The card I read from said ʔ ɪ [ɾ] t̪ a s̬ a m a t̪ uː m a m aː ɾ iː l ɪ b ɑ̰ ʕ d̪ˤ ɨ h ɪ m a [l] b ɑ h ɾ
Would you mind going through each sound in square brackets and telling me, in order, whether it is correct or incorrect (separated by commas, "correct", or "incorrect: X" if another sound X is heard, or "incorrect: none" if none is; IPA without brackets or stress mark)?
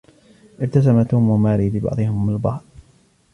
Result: correct, correct